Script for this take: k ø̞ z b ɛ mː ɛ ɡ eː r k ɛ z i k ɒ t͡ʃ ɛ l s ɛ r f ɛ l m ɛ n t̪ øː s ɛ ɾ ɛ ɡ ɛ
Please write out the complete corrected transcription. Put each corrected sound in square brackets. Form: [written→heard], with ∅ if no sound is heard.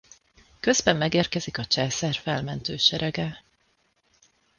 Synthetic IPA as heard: k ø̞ z b ɛ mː ɛ ɡ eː r k ɛ z i k ɒ t͡ʃ ɛ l s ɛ r f ɛ l m ɛ n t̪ øː [s→ʃ] ɛ ɾ ɛ ɡ ɛ